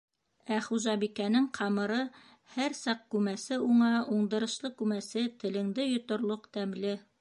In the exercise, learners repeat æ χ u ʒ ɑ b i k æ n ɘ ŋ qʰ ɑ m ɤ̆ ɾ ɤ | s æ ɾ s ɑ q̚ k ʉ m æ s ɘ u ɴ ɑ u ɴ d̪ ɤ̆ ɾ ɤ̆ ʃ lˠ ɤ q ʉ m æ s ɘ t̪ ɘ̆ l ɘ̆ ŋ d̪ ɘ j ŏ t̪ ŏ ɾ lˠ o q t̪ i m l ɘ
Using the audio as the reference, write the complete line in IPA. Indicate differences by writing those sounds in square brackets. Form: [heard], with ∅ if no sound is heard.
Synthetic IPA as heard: æ χ u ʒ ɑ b i k æ n ɘ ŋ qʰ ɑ m ɤ̆ ɾ ɤ | [h] æ ɾ s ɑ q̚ k ʉ m æ s ɘ u ɴ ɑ u ɴ d̪ ɤ̆ ɾ ɤ̆ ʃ lˠ ɤ [k] ʉ m æ s ɘ t̪ ɘ̆ l ɘ̆ ŋ d̪ ɘ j ŏ t̪ ŏ ɾ lˠ o q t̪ [æ] m l ɘ